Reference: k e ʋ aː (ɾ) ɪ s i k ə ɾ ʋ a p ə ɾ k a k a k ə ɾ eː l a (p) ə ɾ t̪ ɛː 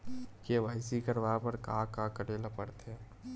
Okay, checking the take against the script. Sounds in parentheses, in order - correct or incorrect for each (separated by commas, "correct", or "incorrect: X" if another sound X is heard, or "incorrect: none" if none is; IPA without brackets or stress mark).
incorrect: none, correct